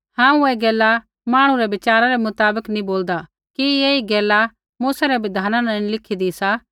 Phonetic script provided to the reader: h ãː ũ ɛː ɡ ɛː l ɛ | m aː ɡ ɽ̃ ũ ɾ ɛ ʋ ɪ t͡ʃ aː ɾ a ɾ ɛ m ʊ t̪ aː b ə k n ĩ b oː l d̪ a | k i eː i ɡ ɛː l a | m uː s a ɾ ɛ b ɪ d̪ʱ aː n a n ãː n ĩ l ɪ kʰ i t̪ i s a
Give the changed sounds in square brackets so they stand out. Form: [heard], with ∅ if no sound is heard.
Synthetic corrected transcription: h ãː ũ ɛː ɡ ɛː l [a] | m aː [∅] ɽ̃ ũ ɾ ɛ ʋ ɪ t͡ʃ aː ɾ a ɾ ɛ m ʊ t̪ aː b ə k n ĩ b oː l d̪ a | k i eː i ɡ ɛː l a | m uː s a ɾ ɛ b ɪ d̪ʱ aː n a n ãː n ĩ l ɪ kʰ i [d̪] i s a